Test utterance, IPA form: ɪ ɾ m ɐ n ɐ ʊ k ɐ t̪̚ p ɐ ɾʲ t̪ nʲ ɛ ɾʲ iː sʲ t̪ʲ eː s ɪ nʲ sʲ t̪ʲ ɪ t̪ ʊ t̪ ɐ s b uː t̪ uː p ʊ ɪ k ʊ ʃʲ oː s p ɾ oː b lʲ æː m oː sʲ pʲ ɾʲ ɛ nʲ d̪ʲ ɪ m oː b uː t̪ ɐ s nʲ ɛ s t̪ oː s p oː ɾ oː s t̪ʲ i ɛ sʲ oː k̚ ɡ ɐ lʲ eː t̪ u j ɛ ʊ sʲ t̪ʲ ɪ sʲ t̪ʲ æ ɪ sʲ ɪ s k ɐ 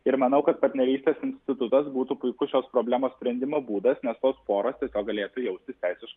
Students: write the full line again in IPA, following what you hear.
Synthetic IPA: ɪ ɾ m ɐ n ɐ ʊ k ɐ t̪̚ p ɐ ɾʲ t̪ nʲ ɛ ɾʲ iː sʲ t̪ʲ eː s ɪ nʲ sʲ t̪ʲ ɪ t̪ ʊ t̪ ɐ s b uː t̪ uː p ʊ ɪ k ʊ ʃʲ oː s p ɾ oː b lʲ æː m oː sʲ pʲ ɾʲ ɛ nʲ d̪ʲ ɪ m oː b uː d̪ ɐ s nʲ ɛ s t̪ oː s p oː ɾ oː s t̪ʲ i ɛ sʲ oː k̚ ɡ ɐ lʲ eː t̪ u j ɛ ʊ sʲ t̪ʲ ɪ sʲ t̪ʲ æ ɪ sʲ ɪ ʃ k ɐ